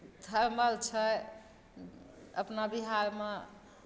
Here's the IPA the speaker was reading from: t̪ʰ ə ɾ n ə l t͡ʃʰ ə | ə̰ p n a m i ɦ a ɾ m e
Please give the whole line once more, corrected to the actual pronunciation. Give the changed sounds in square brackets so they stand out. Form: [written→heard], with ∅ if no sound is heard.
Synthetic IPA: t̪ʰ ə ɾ [n→m] ə l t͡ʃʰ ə | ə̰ p n a [m→b] i ɦ a ɾ m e